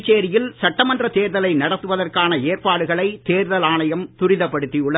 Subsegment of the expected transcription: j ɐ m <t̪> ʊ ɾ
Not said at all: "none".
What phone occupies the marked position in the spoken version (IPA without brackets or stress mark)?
t̪